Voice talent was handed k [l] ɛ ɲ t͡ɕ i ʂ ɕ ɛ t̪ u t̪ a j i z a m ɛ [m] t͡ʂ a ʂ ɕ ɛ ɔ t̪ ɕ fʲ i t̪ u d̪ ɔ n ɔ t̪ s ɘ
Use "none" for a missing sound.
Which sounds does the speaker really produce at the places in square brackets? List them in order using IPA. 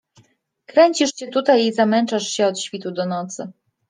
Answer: ɾ, n

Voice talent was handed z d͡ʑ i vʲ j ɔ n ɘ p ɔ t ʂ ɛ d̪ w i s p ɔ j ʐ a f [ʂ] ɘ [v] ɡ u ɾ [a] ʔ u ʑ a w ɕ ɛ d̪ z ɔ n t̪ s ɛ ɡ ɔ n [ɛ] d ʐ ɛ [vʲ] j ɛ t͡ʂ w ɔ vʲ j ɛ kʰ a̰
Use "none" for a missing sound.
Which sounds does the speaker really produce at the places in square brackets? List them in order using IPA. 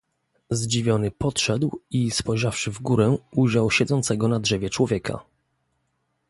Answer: ʂ, v, ɛ, a, vʲ

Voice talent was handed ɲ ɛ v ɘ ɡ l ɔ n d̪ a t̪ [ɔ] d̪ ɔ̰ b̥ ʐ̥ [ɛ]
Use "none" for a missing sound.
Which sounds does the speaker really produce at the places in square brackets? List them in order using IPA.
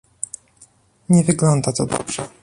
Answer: ɔ, ɛ

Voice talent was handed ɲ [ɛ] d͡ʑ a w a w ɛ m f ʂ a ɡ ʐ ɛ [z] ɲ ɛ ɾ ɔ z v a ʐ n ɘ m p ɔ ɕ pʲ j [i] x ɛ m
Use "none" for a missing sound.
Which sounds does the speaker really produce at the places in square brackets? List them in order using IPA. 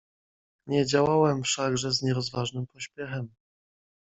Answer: ɛ, z, ɛ

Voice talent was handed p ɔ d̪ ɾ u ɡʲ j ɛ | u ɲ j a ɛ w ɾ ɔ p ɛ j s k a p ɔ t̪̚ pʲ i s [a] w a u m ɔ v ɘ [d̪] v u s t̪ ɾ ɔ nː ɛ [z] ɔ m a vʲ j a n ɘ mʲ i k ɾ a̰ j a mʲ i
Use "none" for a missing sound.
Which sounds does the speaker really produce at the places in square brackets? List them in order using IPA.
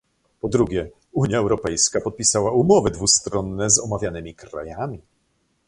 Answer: a, d̪, z

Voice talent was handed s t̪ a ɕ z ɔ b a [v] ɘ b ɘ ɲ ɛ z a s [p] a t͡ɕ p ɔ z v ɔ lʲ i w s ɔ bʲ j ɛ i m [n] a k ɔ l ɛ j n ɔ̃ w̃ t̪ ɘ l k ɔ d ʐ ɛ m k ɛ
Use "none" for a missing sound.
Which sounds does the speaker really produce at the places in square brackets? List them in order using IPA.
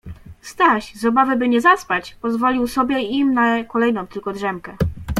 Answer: v, p, n

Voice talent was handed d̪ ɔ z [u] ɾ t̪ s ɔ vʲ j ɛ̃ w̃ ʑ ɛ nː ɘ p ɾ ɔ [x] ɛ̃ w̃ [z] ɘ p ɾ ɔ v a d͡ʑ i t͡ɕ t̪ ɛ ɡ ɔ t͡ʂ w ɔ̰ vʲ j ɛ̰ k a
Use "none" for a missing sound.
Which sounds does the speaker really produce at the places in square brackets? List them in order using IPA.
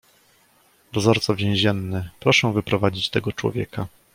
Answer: ɔ, ʂ, v

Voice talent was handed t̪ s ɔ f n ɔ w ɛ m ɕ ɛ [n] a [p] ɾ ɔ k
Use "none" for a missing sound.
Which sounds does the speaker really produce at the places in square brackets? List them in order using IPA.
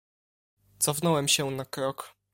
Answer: n, k

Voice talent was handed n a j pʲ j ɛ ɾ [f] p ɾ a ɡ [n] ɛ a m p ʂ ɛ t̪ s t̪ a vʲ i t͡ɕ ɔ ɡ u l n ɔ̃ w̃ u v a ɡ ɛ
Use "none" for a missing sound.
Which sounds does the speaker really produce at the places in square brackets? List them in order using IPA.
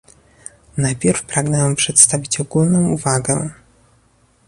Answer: f, n

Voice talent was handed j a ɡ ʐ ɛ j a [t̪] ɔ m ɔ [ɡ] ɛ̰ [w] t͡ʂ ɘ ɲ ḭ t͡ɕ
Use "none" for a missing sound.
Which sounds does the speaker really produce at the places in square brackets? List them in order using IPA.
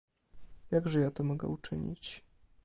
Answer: t̪, ɡ, u

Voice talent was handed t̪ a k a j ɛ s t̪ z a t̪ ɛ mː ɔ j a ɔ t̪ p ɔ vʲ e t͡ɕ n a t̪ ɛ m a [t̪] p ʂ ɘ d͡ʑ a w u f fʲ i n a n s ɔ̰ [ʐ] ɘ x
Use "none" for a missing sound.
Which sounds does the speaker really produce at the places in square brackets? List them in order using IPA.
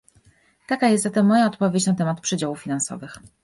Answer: t̪, v

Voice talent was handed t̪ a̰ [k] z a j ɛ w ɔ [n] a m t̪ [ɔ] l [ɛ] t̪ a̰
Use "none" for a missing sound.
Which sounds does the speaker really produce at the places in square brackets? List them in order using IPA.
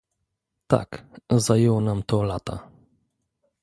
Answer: k, n, ɔ, a

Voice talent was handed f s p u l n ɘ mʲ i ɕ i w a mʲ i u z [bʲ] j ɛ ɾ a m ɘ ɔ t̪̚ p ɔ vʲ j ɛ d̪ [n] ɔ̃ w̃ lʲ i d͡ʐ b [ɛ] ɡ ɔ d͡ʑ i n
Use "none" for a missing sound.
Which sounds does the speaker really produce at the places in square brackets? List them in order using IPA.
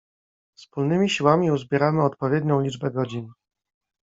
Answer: bʲ, ɲ, ɛ

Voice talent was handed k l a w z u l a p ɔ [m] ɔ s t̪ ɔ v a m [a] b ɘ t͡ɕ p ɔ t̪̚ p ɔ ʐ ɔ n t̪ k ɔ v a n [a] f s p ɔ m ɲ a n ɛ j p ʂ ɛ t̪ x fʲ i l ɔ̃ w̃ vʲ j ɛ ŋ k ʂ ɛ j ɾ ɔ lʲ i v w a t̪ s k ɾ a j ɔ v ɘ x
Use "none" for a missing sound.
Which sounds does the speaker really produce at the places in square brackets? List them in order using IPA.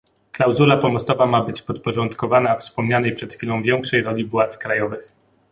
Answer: m, a, a

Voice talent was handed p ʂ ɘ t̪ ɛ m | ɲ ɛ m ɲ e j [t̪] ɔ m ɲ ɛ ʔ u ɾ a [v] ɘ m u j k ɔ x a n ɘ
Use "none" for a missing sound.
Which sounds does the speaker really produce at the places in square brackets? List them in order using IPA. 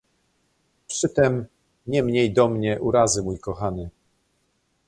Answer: d̪, z

